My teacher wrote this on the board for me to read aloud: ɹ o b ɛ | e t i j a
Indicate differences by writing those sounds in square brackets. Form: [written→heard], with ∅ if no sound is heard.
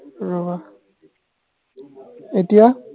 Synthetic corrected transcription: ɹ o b [ɛ→a] | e t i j a